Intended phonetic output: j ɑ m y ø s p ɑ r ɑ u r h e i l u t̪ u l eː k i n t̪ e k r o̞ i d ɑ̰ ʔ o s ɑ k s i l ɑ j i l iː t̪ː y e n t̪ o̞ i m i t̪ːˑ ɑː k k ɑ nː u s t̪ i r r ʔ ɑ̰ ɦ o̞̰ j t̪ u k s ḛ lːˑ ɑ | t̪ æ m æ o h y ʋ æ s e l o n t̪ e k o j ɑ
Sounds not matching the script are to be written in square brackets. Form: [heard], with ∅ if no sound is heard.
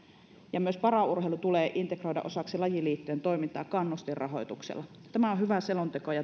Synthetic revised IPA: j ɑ m y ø s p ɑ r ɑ u r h e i l u t̪ u l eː [ʔ] i n t̪ e k r o̞ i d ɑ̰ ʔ o s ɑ k s i l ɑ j i l iː t̪ː y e n t̪ o̞ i m i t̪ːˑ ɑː k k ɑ nː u s t̪ i r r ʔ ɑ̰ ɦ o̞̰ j t̪ u k s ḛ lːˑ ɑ | t̪ æ m æ o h y ʋ æ s e l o n t̪ e k o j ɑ